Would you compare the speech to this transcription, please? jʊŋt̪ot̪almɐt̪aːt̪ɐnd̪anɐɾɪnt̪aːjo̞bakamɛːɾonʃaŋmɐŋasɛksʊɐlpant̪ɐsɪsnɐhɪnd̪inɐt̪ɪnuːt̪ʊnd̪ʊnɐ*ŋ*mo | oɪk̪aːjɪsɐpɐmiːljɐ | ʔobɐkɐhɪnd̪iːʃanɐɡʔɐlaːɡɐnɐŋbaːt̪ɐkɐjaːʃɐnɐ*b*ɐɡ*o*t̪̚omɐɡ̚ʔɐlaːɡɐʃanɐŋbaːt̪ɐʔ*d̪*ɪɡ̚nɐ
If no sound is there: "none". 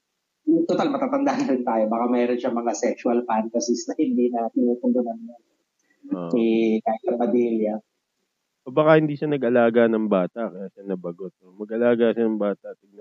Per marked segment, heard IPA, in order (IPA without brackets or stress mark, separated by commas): n, b, o, t̪